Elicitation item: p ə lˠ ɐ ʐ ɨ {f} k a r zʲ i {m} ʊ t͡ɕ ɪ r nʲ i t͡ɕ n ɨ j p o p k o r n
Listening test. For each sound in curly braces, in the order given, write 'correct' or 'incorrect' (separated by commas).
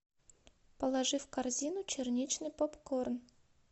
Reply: correct, incorrect